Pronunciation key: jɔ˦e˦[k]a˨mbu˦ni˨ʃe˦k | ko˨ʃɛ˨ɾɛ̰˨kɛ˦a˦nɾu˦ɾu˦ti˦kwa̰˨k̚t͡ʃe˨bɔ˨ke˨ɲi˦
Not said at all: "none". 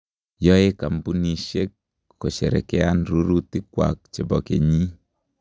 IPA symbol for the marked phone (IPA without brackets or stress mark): k